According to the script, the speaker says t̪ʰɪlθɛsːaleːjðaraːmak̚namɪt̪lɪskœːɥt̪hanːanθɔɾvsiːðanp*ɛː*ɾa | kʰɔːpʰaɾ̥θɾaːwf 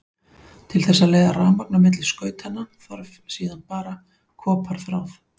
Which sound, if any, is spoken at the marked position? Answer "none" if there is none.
aː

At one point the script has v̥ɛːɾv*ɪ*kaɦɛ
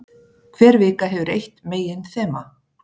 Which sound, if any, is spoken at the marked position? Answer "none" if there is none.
ɪː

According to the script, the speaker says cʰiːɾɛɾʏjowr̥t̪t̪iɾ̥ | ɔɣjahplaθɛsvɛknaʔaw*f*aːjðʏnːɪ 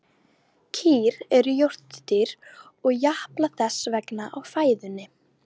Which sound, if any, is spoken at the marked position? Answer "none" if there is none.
f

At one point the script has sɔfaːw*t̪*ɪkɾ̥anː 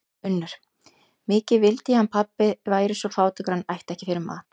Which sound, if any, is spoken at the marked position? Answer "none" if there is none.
t̪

